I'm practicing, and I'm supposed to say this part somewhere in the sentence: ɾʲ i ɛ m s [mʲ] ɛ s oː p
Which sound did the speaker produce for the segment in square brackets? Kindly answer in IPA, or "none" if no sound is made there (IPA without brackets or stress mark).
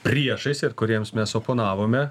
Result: mʲ